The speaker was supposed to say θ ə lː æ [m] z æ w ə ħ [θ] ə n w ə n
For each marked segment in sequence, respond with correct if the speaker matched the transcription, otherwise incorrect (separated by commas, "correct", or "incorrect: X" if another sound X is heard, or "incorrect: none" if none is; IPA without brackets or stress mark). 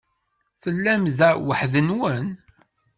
correct, incorrect: ð